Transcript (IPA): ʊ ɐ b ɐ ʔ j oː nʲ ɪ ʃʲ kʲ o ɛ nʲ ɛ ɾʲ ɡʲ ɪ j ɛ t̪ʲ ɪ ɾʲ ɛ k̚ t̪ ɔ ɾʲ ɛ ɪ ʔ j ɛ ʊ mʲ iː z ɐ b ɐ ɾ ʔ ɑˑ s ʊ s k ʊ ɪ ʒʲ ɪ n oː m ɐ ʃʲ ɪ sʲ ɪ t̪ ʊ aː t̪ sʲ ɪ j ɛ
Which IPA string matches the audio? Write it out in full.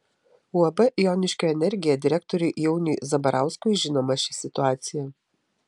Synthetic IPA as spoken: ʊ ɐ b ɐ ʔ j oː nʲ ɪ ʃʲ kʲ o ɛ nʲ ɛ ɾʲ ɡʲ ɪ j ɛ d̪ʲ ɪ ɾʲ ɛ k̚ t̪ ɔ ɾʲ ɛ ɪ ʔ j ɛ ʊ nʲ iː z ɐ b ɐ ɾ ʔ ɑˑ ʊ s k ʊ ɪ ʒʲ ɪ n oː m ɐ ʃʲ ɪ sʲ ɪ t̪ ʊ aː t̪ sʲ ɪ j ɛ